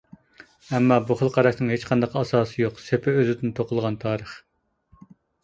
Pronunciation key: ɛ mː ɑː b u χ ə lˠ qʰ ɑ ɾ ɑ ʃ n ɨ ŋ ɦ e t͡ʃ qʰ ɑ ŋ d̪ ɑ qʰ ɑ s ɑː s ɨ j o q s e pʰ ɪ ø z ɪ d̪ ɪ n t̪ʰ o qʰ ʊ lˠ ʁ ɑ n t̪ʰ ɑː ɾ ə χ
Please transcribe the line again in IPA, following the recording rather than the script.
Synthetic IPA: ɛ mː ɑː b u χ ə lˠ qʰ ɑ ɾ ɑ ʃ n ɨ ŋ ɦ e t͡ʃ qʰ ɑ n d̪ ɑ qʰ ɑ s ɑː s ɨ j o q s e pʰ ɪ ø z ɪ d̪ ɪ n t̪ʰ o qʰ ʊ lˠ ʁ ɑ n t̪ʰ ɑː ɾ ə χ